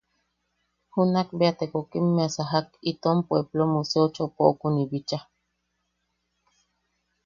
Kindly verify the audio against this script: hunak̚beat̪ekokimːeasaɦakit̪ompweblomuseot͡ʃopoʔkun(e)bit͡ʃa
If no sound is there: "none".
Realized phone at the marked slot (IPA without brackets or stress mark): i